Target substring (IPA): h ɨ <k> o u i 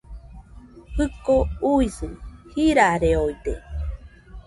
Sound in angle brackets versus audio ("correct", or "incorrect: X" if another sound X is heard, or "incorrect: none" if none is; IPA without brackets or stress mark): correct